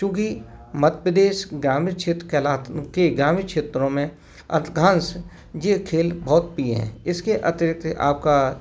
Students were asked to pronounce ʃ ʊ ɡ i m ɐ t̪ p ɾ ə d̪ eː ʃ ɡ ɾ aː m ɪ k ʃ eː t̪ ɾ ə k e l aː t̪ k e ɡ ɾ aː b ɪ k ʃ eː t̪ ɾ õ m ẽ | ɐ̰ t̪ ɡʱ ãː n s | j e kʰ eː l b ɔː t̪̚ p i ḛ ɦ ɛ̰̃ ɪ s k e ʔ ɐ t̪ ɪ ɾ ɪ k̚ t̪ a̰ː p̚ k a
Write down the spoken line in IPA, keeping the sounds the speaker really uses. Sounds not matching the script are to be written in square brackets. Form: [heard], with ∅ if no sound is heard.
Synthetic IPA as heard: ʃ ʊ ɡ i m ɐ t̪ p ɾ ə d̪ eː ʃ ɡ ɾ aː m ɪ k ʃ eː t̪ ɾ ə k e l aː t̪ k e ɡ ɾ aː [m] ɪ k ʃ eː t̪ ɾ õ m ẽ | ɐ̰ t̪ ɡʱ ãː n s | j e kʰ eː l b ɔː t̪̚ p i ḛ ɦ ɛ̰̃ ɪ s k e ʔ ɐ t̪ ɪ ɾ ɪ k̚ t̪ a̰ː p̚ k a

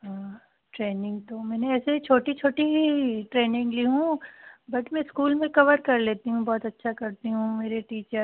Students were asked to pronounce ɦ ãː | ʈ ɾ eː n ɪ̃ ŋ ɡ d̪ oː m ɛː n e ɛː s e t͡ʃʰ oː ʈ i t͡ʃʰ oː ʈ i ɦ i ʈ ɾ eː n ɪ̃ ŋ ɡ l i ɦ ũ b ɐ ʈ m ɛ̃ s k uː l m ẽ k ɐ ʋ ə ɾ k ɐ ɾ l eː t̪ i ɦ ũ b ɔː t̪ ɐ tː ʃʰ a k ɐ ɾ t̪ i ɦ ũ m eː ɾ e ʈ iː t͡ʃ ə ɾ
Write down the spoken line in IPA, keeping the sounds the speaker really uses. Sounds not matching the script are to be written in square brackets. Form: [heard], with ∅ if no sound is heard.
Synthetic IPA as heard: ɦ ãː | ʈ ɾ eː n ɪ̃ ŋ ɡ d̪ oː m ɛː n e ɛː s e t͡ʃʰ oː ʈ i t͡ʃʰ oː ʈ i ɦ i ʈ ɾ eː n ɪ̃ ŋ ɡ l i ɦ ũ b ɐ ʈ m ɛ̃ s k uː l m ẽ k ɐ ʋ ə ɾ k ɐ ɾ l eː t̪ i ɦ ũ b ɔː t̪ ɐ tː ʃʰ a k ɐ ɾ t̪ i ɦ ũ m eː ɾ e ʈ iː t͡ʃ ə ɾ

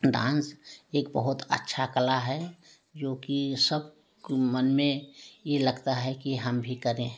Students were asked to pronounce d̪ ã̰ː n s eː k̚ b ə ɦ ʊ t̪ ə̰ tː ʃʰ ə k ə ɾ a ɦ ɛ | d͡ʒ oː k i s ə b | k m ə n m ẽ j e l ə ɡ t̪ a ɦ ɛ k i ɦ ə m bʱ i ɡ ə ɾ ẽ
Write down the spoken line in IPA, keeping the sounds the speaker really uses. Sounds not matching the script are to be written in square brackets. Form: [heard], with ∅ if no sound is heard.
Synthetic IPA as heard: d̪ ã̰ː n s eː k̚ b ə ɦ ʊ t̪ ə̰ tː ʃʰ [a] k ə [l] a ɦ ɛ | d͡ʒ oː k i s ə b | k m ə n m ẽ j e l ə ɡ t̪ a ɦ ɛ k i ɦ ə m bʱ i [k] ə ɾ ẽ

